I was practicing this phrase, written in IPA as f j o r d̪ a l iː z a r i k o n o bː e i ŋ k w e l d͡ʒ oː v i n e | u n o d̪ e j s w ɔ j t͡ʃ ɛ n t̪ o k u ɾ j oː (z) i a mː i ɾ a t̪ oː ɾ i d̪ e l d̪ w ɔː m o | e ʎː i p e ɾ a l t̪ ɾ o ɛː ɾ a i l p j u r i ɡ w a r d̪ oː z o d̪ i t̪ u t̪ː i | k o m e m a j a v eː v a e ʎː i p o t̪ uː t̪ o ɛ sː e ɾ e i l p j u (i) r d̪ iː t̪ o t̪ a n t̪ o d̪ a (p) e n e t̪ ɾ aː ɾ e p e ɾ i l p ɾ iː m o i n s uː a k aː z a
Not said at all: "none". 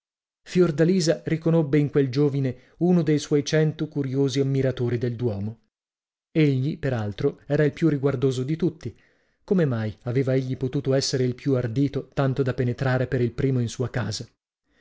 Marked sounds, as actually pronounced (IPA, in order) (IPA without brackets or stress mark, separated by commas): z, a, p